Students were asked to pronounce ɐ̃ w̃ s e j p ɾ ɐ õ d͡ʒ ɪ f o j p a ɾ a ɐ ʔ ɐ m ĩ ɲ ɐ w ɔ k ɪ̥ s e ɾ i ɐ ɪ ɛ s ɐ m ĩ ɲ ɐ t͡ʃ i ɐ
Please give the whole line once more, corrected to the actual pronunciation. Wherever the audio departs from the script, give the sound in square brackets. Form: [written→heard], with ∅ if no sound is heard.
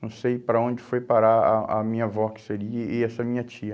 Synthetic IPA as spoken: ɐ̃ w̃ s e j p ɾ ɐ õ d͡ʒ ɪ f o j p a ɾ a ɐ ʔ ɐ m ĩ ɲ ɐ [w→v] ɔ k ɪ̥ s e ɾ i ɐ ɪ ɛ s ɐ m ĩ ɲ ɐ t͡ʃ i ɐ